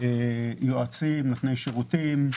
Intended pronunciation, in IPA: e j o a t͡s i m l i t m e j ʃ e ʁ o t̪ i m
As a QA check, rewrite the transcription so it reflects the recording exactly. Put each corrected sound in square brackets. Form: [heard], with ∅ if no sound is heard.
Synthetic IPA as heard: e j o a t͡s i m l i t [n] e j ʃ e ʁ [u] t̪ i m